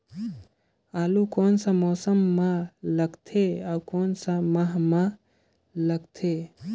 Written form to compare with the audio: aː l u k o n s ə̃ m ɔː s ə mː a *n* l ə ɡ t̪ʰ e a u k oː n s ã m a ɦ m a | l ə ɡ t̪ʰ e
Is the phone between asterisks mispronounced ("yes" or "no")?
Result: yes